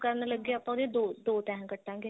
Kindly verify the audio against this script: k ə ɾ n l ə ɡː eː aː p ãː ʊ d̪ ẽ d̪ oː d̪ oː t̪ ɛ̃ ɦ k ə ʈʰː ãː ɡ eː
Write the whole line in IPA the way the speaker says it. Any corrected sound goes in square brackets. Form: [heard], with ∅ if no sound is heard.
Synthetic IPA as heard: k ə ɾ n l ə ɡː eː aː p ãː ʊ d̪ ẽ d̪ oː d̪ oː t̪ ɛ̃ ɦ k ə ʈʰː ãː ɡ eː